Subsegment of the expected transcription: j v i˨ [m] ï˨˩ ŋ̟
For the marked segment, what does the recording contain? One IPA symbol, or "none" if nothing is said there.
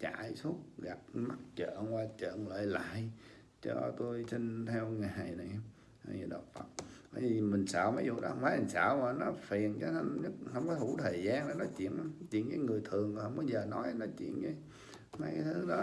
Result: m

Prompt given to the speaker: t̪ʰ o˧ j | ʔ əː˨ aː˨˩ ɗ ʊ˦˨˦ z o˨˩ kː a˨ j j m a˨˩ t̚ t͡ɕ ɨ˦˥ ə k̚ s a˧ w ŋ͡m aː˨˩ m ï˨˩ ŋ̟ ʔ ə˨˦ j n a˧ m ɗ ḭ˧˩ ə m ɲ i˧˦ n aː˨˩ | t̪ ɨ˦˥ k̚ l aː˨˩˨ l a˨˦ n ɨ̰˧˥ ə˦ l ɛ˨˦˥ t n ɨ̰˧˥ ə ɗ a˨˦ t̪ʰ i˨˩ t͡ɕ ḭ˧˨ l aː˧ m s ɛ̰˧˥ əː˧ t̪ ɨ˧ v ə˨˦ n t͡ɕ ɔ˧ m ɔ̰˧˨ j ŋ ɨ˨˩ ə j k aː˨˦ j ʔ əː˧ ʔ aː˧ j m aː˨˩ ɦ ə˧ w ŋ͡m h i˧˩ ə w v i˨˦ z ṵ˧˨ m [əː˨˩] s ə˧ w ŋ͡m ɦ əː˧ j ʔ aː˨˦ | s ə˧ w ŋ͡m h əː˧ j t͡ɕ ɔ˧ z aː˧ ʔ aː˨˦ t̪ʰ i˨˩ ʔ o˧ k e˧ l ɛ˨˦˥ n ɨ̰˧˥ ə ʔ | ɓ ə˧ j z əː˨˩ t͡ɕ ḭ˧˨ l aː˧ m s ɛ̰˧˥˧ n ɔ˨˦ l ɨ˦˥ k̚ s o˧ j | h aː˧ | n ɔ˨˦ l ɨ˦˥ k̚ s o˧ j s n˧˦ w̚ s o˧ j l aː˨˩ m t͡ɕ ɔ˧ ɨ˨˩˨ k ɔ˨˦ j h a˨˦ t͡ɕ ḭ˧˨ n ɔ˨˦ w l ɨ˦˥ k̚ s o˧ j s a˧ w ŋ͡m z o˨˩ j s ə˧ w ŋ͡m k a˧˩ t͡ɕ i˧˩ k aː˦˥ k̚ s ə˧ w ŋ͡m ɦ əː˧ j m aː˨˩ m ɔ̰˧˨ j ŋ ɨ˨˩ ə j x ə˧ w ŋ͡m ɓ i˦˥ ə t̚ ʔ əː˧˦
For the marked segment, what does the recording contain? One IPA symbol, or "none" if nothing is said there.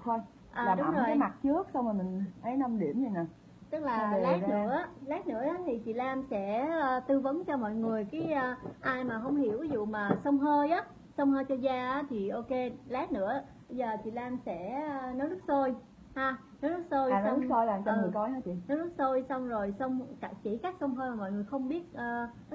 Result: aː˨˩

